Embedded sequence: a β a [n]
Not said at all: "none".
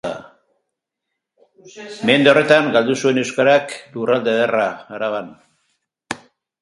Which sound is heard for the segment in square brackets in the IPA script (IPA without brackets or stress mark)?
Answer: n